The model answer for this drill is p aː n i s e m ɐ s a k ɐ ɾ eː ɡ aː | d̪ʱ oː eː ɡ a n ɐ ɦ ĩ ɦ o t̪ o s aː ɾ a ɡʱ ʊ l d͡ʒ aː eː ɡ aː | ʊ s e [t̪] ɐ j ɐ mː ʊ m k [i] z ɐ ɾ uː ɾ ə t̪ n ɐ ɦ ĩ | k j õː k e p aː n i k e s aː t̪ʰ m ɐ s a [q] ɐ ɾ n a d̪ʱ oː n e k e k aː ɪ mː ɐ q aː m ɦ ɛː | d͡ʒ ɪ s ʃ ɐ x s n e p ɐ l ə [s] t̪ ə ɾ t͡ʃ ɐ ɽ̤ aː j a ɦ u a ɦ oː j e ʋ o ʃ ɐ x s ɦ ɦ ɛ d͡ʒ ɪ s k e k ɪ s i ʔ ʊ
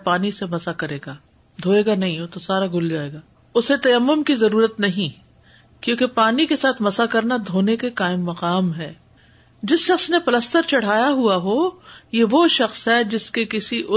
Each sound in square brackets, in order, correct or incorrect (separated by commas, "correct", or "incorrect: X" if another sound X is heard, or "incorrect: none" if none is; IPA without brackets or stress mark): correct, correct, incorrect: k, correct